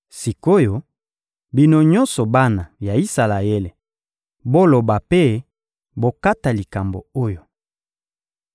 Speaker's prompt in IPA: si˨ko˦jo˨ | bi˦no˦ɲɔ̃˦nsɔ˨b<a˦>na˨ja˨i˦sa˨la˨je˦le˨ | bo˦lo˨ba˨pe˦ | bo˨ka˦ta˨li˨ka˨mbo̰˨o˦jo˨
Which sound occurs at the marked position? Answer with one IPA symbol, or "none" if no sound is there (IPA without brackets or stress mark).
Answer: a˦